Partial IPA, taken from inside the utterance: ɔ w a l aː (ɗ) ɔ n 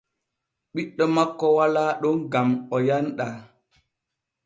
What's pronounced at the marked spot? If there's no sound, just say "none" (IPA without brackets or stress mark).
ɗ